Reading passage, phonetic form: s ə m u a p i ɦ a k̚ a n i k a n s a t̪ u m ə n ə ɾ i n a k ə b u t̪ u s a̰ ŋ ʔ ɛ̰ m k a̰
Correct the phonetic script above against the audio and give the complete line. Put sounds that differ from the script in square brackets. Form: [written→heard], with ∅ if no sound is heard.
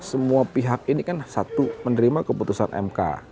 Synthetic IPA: s ə m u a p i ɦ a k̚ [a→i] n i k a n s a t̪ u m ə n ə ɾ i [n→m] a k ə [b→p] u t̪ u s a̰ [ŋ→n] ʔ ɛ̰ m k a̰